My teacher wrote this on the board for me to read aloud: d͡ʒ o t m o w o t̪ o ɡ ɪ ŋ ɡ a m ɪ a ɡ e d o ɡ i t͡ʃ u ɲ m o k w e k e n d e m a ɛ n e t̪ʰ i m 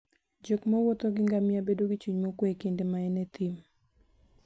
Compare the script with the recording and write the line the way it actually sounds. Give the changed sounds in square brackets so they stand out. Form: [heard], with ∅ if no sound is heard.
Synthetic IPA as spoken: d͡ʒ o [k] m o w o t̪ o ɡ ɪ ŋ ɡ a m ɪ a [b] e d o ɡ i t͡ʃ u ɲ m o k w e k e n d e m a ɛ n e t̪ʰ i m